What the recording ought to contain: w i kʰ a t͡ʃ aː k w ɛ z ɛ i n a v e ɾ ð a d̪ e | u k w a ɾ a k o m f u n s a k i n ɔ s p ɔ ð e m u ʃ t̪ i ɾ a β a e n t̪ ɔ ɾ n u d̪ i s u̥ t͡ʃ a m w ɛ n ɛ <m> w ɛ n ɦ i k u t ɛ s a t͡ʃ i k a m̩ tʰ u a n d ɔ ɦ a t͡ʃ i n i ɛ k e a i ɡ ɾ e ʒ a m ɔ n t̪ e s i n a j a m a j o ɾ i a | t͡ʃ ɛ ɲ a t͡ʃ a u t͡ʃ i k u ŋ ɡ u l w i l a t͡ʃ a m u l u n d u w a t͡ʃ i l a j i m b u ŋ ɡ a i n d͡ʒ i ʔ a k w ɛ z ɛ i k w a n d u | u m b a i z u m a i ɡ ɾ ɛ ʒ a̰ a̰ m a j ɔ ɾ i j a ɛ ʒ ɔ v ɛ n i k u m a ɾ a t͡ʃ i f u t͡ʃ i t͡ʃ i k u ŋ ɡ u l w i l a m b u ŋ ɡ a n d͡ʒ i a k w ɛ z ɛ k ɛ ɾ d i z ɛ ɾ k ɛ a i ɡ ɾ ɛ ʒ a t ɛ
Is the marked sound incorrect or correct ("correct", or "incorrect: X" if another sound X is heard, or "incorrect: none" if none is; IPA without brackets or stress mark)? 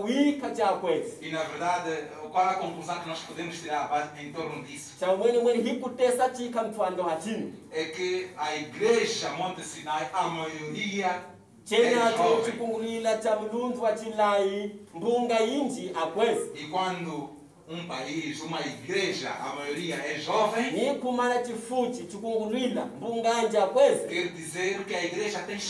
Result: correct